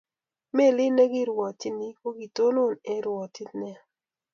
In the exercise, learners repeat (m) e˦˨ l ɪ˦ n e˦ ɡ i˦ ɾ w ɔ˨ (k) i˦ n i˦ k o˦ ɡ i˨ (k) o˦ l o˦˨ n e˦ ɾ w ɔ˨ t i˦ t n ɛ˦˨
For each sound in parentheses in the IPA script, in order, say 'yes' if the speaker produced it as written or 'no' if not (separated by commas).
yes, no, no